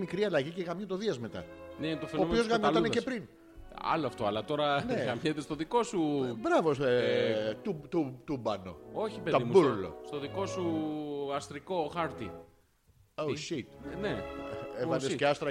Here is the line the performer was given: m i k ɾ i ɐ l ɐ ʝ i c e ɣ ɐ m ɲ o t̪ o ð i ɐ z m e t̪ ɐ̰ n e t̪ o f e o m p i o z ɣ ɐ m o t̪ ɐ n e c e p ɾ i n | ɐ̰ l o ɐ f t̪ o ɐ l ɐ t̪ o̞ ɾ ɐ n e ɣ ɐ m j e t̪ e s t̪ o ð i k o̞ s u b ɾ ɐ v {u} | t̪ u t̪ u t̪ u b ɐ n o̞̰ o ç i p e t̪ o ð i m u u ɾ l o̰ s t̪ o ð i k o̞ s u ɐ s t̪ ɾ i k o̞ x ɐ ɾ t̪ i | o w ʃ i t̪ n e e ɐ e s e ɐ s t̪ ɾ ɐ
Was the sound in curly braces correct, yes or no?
no